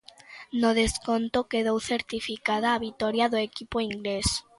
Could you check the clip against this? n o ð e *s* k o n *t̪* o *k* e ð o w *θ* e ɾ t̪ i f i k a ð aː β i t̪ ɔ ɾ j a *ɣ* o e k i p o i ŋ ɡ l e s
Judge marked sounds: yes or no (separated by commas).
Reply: yes, yes, yes, yes, no